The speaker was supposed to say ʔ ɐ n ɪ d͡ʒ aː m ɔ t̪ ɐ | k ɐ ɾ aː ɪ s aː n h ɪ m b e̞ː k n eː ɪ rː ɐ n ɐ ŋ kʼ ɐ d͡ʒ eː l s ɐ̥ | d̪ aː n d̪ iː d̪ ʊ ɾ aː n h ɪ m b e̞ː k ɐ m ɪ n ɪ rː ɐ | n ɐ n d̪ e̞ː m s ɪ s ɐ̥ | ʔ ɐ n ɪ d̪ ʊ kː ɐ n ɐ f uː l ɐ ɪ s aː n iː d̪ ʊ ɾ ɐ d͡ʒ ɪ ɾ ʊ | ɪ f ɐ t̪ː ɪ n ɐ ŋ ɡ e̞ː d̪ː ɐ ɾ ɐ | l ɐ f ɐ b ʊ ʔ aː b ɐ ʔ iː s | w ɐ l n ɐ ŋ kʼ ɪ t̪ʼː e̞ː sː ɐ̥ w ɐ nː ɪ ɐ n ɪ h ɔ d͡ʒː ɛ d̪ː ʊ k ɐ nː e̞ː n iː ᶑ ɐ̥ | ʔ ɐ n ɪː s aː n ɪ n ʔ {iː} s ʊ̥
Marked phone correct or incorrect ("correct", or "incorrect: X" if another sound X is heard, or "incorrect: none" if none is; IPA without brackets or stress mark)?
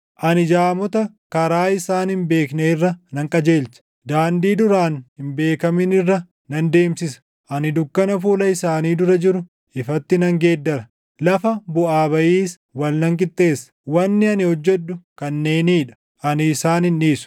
correct